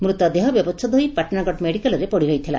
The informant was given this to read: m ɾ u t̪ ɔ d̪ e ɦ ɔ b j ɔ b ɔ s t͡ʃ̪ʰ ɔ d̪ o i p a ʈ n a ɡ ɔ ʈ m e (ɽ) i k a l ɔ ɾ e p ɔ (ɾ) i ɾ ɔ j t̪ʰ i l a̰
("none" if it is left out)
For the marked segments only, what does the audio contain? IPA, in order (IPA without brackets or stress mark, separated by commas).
ɽ, ɽ